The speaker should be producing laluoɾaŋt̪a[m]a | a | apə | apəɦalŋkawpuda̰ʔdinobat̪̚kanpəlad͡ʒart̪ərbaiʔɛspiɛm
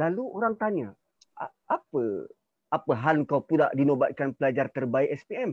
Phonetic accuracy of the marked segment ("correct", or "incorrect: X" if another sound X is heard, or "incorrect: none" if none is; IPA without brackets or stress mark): incorrect: ɲ